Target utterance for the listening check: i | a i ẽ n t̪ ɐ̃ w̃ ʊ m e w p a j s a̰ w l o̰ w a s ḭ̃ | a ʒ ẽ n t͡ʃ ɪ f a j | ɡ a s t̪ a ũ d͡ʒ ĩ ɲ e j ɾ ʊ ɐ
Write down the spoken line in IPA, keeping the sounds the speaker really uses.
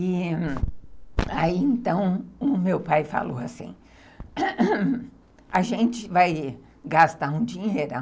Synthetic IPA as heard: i | a i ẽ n t̪ ɐ̃ w̃ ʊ m e w p a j f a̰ l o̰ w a s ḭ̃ | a ʒ ẽ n t͡ʃ ɪ v a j | ɡ a s t̪ a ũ d͡ʒ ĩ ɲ e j ɾ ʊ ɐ